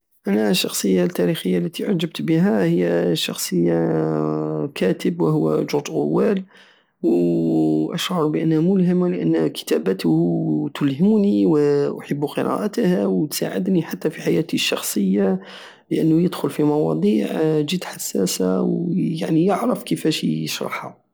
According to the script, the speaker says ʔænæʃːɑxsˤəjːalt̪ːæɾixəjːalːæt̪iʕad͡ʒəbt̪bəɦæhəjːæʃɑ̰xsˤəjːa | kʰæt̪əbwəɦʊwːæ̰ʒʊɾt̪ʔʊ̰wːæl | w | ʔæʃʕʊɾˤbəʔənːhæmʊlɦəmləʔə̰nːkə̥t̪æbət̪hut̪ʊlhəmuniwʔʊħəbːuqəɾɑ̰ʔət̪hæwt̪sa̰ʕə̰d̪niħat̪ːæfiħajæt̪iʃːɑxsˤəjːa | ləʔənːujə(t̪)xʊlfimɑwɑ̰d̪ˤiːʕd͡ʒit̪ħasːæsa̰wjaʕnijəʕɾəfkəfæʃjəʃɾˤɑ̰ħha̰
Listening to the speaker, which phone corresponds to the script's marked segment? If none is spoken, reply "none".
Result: d̪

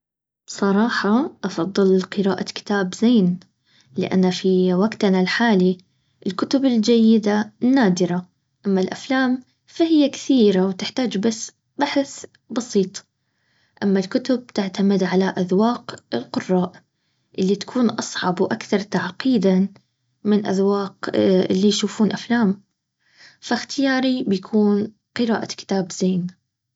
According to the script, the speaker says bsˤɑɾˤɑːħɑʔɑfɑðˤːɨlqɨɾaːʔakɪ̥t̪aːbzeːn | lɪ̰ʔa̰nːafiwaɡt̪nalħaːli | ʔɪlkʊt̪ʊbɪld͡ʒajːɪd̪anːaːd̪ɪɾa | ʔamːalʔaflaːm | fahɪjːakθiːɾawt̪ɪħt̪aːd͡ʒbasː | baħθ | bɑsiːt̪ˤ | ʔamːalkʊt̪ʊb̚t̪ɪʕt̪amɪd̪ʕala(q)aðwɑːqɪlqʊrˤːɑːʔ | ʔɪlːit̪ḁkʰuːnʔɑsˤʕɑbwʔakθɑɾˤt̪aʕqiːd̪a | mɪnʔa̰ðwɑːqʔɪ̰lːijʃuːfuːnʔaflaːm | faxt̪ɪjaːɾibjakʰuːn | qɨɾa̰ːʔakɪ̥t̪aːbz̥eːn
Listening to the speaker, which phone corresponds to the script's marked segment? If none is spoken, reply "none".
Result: ʔ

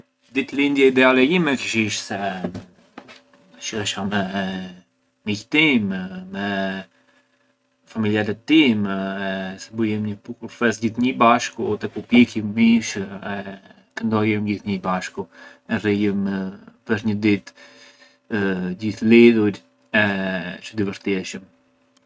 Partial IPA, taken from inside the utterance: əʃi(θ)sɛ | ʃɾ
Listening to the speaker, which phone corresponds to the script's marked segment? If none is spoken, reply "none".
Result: ʃ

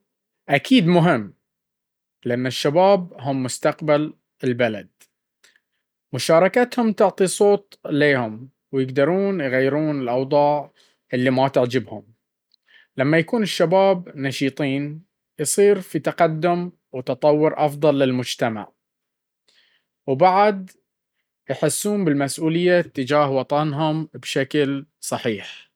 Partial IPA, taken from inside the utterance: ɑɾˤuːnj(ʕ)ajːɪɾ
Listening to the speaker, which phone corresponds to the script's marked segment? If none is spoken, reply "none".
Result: ɣ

